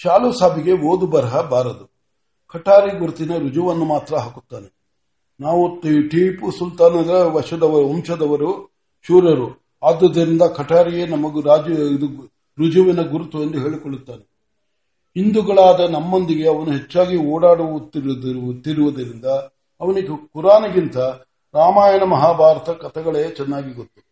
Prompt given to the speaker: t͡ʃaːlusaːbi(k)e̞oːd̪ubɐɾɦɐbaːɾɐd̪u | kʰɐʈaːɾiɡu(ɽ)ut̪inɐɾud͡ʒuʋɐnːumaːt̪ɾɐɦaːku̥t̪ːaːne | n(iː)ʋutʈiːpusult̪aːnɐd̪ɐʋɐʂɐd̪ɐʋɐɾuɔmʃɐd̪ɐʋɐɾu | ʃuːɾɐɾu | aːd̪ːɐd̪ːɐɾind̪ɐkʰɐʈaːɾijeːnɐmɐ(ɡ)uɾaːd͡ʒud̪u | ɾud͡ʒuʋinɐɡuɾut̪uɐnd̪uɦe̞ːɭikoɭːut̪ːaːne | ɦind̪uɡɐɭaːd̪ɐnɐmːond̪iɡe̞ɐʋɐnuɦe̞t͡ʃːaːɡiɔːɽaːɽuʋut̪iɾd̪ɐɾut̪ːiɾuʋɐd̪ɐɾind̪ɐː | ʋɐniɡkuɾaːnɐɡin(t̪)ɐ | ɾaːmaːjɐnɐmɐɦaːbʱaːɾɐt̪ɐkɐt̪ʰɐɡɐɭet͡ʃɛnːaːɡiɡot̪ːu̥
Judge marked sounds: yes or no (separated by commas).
no, no, no, yes, yes